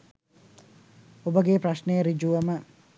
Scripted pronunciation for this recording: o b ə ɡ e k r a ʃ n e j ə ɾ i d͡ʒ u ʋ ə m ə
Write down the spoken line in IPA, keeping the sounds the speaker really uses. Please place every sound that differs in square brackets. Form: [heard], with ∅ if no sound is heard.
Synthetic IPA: o b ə ɡ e [p] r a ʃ n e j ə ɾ i d͡ʒ u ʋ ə m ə